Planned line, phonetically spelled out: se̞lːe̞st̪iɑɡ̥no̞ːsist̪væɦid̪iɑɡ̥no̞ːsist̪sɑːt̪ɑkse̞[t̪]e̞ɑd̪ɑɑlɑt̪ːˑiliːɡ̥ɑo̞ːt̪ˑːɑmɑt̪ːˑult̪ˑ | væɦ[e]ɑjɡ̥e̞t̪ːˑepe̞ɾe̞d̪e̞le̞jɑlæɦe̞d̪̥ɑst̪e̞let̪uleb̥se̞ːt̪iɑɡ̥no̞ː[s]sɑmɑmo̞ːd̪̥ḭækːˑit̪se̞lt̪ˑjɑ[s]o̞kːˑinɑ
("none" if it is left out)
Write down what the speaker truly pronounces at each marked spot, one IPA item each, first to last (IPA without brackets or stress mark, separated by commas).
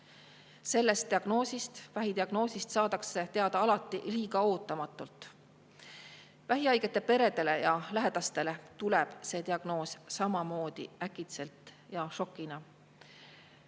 t̪, i, s, ʃ